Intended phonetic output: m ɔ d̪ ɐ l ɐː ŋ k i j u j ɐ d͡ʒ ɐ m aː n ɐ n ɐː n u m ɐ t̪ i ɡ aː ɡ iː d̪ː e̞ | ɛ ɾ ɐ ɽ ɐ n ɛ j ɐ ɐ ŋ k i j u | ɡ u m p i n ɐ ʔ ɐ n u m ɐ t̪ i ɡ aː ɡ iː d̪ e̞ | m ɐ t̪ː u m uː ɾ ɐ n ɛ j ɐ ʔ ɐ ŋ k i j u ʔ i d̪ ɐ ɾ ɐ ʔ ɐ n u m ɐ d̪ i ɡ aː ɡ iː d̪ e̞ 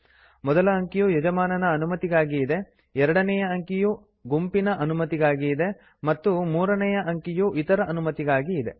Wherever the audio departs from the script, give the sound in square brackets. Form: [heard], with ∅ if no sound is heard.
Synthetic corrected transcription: m ɔ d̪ ɐ l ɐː ŋ k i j u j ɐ d͡ʒ ɐ m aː n ɐ n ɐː n u m ɐ t̪ i ɡ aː ɡ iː [d̪] e̞ | ɛ ɾ ɐ ɽ ɐ n ɛ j ɐ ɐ ŋ k i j u | ɡ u m p i n ɐ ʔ ɐ n u m ɐ t̪ i ɡ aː ɡ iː d̪ e̞ | m ɐ t̪ː u m uː ɾ ɐ n ɛ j ɐ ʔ ɐ ŋ k i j u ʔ i [t̪] ɐ ɾ ɐ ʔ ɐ n u m ɐ [t̪] i ɡ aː ɡ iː d̪ e̞